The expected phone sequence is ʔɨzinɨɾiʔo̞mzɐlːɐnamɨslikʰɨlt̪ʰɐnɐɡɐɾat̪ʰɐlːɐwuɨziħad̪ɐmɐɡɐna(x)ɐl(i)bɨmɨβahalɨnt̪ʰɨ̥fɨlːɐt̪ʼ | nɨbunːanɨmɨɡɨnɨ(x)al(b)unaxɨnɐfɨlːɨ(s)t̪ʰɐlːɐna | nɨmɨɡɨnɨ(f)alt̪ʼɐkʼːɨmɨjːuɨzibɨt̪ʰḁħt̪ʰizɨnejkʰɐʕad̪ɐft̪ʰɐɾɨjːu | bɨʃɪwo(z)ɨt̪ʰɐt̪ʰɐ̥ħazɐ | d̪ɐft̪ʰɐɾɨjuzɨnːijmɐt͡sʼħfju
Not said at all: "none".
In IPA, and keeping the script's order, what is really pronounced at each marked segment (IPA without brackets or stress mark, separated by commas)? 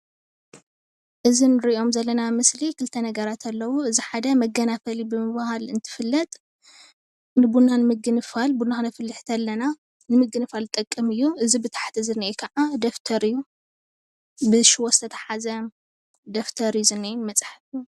f, i, f, b, ħ, f, s